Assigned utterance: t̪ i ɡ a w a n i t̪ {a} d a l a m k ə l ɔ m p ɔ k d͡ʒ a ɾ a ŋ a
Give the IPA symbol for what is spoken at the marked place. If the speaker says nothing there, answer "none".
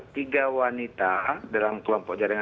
a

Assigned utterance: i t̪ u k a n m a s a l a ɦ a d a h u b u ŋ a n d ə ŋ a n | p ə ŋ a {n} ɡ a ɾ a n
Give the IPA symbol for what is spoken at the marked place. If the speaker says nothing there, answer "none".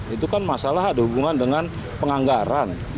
ŋ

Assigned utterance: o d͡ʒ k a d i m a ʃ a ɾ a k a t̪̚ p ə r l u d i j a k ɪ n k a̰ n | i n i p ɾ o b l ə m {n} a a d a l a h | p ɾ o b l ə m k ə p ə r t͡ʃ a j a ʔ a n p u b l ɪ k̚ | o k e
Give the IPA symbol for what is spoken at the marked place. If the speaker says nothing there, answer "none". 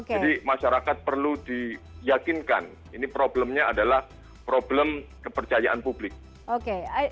ɲ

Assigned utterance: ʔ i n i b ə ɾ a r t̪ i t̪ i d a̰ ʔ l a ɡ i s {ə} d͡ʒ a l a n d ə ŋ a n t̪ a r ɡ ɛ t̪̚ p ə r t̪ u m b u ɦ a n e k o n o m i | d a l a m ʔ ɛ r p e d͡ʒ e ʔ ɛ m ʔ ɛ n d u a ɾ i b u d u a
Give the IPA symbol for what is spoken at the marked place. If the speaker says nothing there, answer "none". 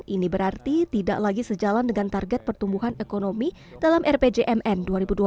ə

